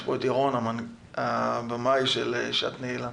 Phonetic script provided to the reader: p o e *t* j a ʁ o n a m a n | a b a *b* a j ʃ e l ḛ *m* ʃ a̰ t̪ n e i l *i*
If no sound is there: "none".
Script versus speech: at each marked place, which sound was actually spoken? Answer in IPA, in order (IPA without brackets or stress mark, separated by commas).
t, m, none, a